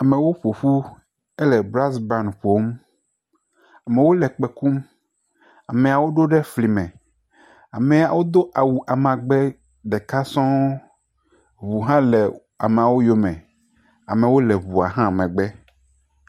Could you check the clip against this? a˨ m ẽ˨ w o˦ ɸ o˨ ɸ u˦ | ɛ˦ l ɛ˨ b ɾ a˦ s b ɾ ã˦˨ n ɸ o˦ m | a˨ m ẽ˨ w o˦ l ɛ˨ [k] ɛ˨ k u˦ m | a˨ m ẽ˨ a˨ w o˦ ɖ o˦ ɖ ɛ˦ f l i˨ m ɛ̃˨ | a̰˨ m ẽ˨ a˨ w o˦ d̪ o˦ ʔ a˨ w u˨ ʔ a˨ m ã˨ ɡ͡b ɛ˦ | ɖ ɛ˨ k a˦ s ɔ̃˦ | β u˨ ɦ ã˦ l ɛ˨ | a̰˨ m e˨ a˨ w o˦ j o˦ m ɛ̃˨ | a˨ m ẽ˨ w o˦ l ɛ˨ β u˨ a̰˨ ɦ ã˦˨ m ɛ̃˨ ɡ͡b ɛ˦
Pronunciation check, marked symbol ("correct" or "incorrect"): incorrect